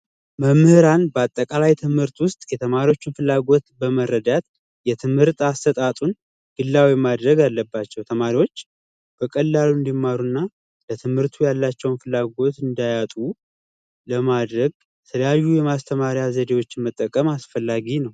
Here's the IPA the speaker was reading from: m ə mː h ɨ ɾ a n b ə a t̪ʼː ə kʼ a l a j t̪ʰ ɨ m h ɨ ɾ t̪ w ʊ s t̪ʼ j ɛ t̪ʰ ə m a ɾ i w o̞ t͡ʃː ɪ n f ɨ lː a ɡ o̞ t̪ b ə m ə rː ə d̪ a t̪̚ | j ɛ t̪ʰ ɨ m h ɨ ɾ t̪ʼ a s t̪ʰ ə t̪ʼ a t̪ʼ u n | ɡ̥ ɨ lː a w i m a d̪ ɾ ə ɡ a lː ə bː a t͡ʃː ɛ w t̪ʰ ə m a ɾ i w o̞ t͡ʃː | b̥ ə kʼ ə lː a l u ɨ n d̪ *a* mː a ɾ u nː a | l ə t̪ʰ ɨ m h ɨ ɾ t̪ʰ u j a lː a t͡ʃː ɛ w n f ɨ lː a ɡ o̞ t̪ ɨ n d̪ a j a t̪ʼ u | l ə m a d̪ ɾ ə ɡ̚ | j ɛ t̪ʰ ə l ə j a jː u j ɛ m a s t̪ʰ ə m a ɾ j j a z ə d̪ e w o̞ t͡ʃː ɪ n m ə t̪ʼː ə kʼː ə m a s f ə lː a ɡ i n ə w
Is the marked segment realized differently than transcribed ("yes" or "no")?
yes